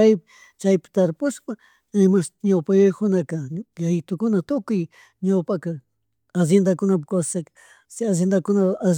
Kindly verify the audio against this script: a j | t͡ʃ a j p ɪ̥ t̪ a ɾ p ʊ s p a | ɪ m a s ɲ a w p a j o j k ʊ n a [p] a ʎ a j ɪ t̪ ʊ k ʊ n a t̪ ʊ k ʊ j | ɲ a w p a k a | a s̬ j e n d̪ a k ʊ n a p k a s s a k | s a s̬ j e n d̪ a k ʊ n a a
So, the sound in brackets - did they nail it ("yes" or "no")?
no